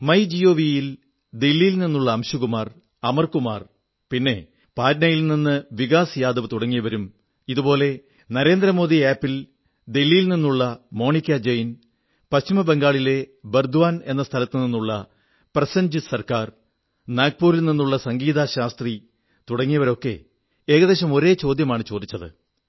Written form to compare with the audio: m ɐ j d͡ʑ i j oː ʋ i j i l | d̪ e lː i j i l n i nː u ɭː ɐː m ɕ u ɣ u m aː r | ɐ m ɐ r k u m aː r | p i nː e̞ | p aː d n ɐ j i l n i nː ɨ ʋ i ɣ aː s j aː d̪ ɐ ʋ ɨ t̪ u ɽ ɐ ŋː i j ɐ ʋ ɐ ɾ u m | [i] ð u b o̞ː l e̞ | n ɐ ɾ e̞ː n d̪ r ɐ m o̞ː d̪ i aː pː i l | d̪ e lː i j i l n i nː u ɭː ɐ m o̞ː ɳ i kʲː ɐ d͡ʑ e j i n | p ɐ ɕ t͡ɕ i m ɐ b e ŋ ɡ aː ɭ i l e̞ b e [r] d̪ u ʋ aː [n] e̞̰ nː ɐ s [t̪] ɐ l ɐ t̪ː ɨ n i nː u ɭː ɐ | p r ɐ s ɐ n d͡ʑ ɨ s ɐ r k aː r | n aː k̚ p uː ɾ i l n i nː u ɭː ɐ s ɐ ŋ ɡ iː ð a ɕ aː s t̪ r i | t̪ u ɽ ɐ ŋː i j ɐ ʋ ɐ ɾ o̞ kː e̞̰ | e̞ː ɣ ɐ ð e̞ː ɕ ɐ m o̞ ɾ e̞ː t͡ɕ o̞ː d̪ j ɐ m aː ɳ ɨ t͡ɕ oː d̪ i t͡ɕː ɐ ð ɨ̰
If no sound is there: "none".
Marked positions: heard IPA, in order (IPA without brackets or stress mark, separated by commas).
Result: i, r, n, t̪ʰ